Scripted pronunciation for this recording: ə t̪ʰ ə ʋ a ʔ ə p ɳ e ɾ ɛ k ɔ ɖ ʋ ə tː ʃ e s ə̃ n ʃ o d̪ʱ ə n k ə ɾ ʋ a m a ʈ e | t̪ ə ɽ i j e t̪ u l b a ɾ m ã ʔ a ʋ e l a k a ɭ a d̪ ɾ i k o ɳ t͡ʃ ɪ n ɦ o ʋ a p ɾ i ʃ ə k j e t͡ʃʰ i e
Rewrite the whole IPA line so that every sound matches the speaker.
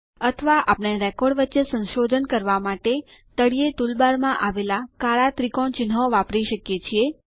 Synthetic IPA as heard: ə t̪ʰ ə ʋ a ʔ a p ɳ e ɾ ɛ k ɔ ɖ ʋ ə tː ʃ e s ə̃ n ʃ o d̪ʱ ə n k ə ɾ ʋ a m a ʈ e | t̪ ə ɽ i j e t̪ u l b a ɾ m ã ʔ a ʋ e l a k a ɭ a t̪ ɾ i k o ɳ t͡ʃ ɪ n ɦ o ʋ a p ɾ i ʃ ə k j e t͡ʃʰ i e